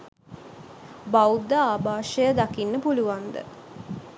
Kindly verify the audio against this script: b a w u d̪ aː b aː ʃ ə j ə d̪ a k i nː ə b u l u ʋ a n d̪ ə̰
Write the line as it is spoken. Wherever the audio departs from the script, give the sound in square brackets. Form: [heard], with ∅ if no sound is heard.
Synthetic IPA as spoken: b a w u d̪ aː b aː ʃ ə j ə d̪ a k i nː ə [p] u l u ʋ a n d̪ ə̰